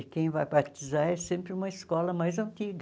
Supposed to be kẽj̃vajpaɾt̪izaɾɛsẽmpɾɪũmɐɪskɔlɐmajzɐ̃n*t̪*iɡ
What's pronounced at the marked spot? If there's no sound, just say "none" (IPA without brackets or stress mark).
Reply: t̪